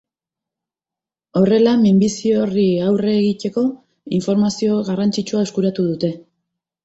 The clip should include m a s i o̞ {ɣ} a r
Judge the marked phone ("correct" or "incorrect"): correct